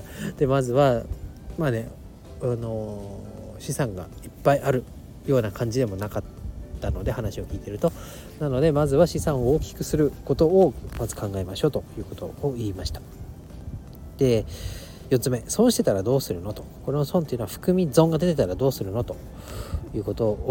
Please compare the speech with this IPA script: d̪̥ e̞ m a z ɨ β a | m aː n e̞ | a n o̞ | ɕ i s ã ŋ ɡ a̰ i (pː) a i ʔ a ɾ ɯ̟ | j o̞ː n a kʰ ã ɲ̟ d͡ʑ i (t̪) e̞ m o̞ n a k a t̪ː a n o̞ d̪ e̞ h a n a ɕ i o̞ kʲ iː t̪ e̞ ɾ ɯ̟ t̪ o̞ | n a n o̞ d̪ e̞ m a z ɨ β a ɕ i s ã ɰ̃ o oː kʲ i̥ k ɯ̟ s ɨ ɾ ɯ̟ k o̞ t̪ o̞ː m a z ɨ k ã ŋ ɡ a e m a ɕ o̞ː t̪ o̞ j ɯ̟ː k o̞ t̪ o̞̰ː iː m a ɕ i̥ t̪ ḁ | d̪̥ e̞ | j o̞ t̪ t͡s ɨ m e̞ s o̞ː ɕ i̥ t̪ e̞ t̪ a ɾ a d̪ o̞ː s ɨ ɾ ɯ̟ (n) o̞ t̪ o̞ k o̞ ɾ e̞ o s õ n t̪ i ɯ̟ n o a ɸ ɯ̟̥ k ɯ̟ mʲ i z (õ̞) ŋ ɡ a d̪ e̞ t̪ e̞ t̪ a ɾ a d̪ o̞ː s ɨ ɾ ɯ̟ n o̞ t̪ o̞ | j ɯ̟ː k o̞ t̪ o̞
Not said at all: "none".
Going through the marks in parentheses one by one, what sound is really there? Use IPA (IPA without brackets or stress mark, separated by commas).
pː, d̪, n, õ̞